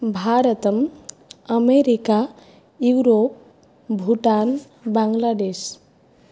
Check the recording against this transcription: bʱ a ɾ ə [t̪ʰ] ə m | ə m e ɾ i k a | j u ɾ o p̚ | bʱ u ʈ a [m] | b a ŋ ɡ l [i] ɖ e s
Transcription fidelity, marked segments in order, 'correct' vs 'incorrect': incorrect, incorrect, incorrect

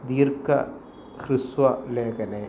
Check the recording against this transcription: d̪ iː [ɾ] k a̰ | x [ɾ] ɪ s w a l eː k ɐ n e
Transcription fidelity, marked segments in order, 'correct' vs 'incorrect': correct, correct

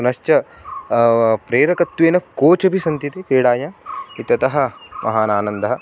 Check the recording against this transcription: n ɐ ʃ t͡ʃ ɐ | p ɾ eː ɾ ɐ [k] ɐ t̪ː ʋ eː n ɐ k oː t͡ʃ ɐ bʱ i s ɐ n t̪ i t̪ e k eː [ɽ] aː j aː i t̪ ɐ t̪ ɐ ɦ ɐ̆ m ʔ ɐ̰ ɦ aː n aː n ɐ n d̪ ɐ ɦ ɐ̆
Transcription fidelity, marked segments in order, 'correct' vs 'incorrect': correct, correct

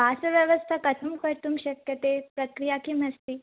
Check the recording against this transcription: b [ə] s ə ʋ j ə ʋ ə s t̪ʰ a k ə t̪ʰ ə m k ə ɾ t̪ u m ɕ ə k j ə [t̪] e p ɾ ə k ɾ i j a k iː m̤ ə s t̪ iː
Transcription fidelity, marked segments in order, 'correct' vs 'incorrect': incorrect, correct

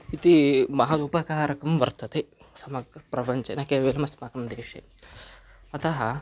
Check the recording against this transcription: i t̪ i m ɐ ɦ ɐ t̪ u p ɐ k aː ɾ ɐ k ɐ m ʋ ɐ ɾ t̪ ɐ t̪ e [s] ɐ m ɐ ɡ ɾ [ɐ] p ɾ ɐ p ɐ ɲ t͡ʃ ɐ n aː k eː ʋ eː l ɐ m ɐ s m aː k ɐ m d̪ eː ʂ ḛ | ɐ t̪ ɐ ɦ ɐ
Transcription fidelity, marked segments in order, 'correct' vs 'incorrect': correct, correct

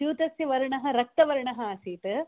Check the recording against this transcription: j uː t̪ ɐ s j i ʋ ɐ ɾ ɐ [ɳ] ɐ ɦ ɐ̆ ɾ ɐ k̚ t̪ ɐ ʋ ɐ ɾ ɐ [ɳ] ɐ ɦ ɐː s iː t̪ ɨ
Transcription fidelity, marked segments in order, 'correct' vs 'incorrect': correct, correct

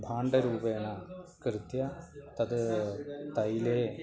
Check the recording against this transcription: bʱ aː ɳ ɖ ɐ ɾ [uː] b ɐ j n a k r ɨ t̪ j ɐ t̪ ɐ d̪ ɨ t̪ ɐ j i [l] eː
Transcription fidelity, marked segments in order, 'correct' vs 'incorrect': correct, correct

